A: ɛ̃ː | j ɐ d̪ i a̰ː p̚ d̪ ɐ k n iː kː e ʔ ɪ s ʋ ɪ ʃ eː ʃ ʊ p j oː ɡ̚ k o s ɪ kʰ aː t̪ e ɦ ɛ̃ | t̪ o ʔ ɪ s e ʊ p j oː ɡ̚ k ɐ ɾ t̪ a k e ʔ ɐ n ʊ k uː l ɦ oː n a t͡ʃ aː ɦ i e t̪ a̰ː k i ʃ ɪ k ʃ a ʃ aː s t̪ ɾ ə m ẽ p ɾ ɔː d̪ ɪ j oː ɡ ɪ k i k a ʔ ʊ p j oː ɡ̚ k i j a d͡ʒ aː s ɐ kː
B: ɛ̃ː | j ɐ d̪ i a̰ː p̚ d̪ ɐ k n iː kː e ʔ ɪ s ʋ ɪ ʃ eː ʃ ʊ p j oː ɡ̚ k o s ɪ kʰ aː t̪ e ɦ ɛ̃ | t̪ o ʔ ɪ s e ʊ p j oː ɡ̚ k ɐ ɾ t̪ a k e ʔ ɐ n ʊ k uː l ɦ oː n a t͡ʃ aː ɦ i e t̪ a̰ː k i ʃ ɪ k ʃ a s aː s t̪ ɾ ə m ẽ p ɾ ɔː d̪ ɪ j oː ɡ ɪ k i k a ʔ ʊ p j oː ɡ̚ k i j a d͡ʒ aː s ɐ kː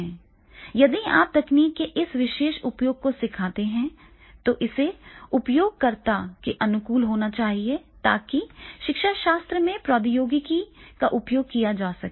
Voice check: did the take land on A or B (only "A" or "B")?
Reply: A